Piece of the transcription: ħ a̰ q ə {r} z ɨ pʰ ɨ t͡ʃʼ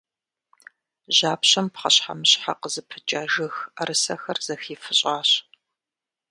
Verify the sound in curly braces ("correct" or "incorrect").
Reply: incorrect